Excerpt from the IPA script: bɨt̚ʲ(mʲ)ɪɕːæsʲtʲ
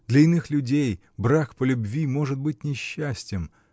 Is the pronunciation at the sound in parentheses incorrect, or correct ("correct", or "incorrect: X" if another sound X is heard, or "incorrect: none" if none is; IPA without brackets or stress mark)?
incorrect: nʲ